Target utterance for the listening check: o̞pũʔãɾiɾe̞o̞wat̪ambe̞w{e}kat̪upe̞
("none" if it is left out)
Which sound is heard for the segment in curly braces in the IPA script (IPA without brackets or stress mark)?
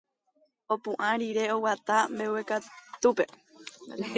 e